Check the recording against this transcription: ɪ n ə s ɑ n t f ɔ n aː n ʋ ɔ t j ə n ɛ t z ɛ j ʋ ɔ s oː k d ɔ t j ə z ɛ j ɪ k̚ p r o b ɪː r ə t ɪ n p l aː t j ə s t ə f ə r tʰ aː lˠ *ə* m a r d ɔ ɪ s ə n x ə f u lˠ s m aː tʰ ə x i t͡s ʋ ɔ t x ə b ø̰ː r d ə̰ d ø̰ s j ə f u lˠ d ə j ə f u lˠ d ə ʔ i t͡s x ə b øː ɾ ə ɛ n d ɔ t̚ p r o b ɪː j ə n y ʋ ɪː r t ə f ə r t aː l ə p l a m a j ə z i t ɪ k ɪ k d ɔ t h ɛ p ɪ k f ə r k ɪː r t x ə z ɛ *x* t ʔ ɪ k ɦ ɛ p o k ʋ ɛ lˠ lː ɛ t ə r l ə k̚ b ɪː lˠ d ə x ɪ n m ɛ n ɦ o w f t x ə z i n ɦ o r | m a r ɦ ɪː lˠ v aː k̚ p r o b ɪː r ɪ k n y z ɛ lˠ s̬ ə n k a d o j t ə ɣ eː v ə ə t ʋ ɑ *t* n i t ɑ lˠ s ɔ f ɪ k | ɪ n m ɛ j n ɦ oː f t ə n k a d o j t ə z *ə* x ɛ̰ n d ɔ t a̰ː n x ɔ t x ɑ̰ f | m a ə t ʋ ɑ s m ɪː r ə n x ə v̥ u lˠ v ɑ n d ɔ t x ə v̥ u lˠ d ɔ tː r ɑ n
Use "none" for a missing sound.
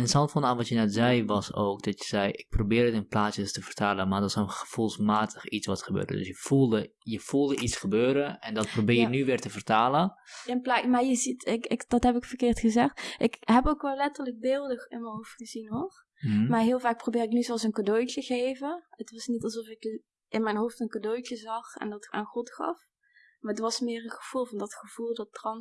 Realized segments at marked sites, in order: ə, x, s, ɑ

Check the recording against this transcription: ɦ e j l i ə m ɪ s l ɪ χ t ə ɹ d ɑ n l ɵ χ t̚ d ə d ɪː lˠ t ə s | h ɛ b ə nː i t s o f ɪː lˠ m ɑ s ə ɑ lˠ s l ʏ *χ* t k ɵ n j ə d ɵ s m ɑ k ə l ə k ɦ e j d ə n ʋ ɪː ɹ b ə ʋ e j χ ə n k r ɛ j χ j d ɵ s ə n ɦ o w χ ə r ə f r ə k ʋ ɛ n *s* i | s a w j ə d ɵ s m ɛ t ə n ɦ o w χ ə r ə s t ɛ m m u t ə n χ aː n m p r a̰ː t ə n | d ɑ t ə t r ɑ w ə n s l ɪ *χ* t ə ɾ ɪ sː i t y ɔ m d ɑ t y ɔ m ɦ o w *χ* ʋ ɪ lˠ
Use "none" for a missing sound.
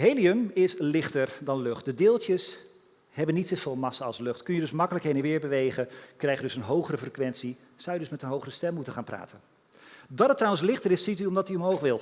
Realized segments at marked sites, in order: χ, s, χ, χ

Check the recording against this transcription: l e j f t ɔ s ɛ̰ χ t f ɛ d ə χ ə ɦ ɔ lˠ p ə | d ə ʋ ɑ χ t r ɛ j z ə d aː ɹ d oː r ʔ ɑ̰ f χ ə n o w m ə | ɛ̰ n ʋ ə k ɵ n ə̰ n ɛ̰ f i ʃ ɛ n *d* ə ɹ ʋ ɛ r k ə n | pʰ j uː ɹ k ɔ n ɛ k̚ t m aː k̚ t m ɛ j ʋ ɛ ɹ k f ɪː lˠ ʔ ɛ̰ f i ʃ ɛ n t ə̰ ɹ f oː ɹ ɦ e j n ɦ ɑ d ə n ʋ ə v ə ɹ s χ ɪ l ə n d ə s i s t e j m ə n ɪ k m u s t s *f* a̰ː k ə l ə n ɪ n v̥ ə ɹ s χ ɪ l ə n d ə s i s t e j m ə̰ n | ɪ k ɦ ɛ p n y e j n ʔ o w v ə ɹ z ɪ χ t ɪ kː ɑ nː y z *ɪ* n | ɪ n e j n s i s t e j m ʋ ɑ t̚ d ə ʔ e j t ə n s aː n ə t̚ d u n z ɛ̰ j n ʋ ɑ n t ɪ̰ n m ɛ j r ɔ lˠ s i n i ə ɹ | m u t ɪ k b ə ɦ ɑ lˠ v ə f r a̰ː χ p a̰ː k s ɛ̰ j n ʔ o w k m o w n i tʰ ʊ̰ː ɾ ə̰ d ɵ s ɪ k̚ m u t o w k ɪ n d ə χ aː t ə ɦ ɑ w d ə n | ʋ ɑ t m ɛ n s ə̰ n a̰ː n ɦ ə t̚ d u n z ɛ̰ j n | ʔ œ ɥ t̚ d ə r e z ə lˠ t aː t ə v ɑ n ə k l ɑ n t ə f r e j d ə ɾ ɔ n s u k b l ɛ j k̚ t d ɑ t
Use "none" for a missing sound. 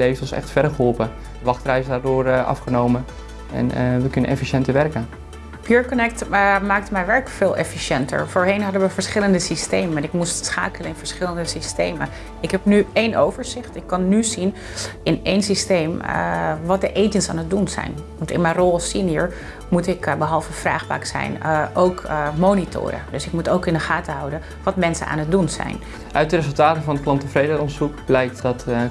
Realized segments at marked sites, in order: t, χ, i

